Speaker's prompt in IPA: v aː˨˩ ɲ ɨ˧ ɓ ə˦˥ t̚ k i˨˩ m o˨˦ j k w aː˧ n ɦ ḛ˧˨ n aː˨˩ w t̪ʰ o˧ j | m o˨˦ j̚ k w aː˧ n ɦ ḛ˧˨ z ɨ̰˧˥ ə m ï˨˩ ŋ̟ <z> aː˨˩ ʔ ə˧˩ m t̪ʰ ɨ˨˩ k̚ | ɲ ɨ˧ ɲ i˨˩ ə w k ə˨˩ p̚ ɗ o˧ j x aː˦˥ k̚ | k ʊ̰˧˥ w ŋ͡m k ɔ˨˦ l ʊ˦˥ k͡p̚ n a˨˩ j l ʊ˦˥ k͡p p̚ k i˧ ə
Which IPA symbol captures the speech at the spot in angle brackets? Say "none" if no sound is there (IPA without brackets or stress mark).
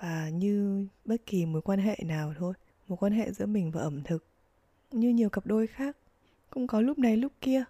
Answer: v